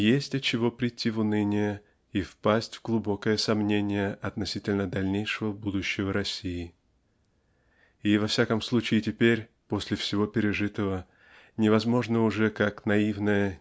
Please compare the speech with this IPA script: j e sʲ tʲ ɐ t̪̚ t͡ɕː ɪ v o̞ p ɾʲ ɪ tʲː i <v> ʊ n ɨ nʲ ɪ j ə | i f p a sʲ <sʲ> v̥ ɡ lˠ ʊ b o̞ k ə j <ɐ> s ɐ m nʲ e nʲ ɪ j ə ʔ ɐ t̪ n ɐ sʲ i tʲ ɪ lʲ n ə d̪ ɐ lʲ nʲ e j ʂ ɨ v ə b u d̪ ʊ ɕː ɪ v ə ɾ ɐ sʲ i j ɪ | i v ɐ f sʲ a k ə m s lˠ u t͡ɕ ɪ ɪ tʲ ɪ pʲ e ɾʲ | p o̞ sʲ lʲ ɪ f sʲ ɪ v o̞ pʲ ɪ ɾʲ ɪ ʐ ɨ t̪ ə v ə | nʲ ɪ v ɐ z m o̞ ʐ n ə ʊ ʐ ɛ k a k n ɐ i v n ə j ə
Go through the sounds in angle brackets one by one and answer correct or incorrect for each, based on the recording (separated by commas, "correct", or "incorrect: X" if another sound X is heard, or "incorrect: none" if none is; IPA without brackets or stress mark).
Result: correct, incorrect: tʲ, incorrect: ə